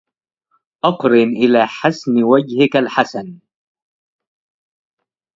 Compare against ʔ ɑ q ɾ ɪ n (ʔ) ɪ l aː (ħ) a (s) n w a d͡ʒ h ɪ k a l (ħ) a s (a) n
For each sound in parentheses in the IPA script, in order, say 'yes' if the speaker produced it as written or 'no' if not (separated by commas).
yes, yes, yes, yes, yes